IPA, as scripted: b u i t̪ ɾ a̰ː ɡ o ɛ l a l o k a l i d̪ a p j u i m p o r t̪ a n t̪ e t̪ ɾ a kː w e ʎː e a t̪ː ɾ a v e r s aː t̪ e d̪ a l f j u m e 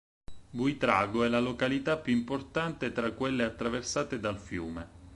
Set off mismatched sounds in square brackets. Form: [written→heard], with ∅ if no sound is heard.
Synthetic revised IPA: b u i t̪ ɾ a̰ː ɡ o ɛ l a l o k a l i [d̪→t̪] a p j u i m p o r t̪ a n t̪ e t̪ ɾ a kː w e [ʎː→lː] e a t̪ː ɾ a v e r s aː t̪ e d̪ a l f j [u→uː] m e